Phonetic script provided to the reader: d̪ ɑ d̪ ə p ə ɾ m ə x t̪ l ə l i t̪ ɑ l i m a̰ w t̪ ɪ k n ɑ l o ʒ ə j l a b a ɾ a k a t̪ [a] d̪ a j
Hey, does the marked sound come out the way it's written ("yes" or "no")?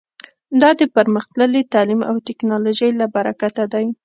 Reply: yes